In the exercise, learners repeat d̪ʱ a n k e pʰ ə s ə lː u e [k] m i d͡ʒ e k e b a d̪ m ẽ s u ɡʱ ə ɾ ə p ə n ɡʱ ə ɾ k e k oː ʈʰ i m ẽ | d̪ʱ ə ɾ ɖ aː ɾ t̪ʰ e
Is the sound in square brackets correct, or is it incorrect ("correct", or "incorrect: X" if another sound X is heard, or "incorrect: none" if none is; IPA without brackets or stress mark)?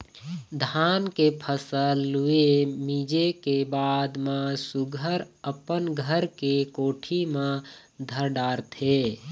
incorrect: none